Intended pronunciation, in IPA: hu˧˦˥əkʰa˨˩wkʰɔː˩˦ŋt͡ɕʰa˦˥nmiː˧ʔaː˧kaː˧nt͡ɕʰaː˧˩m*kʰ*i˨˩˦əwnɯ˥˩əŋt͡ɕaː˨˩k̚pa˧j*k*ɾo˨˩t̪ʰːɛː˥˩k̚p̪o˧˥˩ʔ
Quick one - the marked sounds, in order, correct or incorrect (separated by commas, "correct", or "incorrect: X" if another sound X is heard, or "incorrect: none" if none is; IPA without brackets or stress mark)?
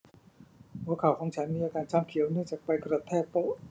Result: correct, correct